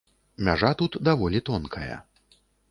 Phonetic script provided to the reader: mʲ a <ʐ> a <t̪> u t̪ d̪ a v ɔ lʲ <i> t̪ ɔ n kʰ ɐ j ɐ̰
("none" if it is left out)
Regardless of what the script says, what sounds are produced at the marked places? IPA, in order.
ʐ, t̪, i

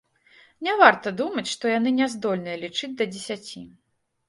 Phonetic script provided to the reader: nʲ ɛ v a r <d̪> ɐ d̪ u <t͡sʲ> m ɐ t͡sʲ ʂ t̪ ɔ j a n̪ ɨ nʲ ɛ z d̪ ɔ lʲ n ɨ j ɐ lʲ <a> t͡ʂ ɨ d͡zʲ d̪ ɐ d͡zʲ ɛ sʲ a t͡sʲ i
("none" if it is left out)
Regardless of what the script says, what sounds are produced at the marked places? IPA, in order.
t̪, none, i

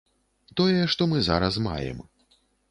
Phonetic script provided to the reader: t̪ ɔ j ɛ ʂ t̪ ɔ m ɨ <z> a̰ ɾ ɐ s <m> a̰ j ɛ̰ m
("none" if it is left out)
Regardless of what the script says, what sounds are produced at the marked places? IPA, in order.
z, m

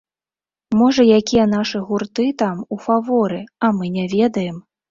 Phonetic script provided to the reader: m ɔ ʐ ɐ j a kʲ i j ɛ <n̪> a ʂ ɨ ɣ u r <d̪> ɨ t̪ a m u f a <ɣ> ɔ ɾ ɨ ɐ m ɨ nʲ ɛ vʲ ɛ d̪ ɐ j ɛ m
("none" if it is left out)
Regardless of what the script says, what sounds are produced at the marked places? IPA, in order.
n̪, t̪, v

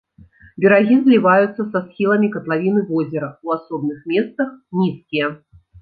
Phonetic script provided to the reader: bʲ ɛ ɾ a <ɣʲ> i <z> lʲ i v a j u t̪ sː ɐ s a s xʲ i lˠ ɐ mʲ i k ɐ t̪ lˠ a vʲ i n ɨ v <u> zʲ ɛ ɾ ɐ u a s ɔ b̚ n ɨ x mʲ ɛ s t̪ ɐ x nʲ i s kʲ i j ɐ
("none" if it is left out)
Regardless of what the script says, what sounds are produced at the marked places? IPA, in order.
ɣʲ, z, ɔ

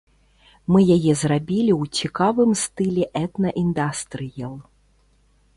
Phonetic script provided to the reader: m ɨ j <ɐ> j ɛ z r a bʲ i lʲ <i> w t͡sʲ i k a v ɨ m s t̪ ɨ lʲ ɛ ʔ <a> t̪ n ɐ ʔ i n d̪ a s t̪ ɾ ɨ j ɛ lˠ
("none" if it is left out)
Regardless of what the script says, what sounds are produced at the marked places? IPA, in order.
a, i, ɛ

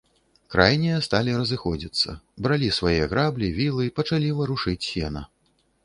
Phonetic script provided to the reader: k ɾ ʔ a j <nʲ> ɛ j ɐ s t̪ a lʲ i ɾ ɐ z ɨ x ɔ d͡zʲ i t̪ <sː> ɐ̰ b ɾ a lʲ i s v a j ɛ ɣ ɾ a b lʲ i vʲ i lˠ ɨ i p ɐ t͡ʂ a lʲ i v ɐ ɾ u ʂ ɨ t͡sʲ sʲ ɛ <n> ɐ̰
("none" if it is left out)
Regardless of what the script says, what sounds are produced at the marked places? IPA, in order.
nʲ, sː, n

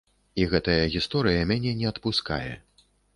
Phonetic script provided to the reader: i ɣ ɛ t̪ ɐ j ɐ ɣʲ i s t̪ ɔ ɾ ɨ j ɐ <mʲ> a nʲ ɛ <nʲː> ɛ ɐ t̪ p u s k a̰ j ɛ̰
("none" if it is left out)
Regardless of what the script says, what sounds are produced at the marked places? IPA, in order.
mʲ, nʲ

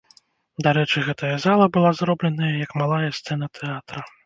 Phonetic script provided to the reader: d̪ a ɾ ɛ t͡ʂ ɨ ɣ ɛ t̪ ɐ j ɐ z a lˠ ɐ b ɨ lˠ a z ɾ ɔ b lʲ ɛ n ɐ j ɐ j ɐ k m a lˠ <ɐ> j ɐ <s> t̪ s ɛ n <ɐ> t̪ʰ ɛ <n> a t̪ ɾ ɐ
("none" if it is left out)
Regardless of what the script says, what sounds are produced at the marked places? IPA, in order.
a, s, ɐ, none

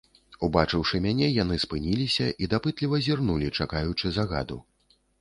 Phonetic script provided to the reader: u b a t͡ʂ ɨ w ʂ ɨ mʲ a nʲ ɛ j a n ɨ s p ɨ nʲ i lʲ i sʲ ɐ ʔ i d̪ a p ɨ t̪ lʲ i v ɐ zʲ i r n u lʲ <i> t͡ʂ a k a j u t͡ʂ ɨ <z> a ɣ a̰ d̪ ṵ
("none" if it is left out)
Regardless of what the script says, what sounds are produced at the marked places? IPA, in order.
i, z

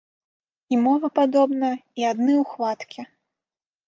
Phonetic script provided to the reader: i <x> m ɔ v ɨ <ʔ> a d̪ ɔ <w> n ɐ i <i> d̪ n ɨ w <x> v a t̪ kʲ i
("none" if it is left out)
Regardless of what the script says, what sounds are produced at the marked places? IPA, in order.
none, p, b, a, x

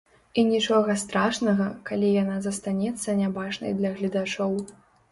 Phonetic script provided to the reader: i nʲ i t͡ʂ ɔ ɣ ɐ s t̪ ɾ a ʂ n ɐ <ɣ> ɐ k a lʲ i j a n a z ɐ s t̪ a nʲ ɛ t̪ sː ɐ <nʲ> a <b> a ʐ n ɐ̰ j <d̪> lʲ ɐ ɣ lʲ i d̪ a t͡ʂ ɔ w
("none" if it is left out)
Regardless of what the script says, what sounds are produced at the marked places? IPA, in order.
ɣ, nʲ, b, d̪

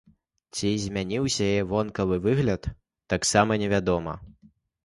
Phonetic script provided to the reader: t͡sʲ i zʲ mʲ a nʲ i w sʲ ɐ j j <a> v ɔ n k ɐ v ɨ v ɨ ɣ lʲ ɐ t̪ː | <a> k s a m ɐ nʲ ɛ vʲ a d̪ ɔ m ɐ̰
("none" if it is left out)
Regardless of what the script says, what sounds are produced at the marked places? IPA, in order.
ɛ, a

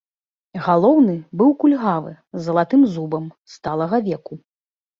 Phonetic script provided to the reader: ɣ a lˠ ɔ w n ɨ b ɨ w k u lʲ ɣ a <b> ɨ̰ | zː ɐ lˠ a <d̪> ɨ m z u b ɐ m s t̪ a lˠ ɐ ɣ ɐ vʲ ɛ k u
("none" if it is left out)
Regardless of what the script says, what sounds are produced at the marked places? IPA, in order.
v, t̪

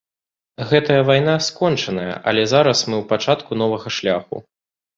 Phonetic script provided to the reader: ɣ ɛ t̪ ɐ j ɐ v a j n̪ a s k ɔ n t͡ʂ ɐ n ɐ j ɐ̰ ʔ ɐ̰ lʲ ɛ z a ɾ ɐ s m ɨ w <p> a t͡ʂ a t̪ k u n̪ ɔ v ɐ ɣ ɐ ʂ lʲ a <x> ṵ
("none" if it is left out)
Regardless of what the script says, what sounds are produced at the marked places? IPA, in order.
p, x

